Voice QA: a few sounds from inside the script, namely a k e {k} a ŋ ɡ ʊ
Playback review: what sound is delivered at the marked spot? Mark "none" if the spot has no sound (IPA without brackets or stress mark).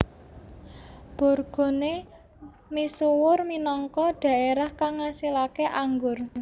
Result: ʔ